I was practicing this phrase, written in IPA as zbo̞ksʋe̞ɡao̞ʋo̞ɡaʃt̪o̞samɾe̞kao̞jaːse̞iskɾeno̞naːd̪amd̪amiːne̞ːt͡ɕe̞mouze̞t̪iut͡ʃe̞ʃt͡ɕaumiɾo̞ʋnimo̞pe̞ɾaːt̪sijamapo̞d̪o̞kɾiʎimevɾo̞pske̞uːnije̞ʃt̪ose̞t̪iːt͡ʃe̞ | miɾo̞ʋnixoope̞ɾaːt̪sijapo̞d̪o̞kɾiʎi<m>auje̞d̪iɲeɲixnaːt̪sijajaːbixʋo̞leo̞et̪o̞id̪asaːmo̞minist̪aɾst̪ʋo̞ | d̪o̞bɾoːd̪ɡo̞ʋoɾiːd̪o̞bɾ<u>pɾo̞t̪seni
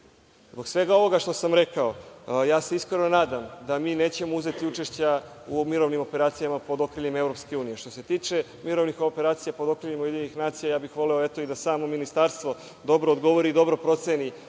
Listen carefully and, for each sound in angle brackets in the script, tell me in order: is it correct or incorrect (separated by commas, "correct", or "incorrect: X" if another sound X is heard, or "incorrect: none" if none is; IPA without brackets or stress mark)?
correct, incorrect: o